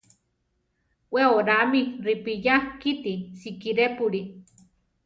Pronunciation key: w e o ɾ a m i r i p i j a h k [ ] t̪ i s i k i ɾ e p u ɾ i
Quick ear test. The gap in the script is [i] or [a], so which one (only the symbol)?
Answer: i